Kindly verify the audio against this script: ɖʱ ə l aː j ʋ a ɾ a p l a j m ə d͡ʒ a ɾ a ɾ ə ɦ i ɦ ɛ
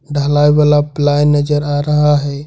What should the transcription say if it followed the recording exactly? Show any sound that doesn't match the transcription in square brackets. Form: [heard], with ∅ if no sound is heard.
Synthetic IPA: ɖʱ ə l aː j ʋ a [l] a p l a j [n] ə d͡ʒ [ə] ɾ a ɾ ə ɦ [a] ɦ ɛ